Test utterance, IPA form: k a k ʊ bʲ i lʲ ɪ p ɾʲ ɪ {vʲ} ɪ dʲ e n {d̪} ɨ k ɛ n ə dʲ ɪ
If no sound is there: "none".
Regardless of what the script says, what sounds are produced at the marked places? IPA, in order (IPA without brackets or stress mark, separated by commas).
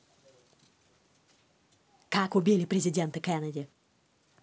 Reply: zʲ, t̪